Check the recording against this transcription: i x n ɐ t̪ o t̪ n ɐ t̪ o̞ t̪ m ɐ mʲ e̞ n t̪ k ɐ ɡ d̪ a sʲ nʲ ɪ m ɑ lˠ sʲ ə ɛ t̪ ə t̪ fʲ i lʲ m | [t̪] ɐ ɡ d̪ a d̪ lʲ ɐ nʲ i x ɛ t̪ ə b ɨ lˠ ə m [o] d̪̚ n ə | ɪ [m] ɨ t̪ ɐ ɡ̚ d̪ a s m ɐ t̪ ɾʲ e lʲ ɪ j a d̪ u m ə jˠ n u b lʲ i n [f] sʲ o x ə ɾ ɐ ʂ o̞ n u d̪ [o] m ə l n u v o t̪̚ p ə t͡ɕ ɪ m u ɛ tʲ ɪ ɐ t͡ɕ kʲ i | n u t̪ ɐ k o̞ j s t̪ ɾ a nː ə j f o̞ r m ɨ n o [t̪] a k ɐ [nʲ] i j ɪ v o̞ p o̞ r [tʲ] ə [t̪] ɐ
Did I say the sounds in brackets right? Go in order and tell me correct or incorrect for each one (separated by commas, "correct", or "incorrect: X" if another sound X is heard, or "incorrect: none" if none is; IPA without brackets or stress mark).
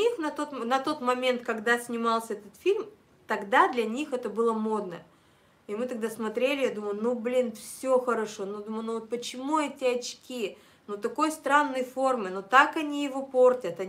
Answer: correct, correct, correct, correct, incorrect: u, correct, correct, correct, correct